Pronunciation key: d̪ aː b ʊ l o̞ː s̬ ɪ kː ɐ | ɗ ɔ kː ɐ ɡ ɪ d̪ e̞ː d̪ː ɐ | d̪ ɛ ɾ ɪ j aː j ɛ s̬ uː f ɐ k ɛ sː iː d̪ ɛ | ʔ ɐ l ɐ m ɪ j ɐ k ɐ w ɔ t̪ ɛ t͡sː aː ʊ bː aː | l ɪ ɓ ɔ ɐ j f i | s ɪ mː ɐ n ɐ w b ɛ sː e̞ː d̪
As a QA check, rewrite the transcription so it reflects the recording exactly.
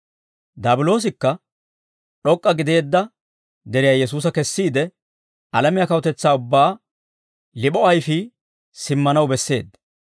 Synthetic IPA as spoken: d̪ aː b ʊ l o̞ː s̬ ɪ kː ɐ | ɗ ɔ kʼː ɐ ɡ ɪ d̪ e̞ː d̪ː ɐ | d̪ ɛ ɾ ɪ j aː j ɛ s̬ uː s ɐ k ɛ sː iː d̪ ɛ | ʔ ɐ l ɐ m ɪ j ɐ k ɐ w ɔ t̪ ɛ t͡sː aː ʊ bː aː | l ɪ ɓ ɔ ɐ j f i | s ɪ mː ɐ n ɐ w b ɛ sː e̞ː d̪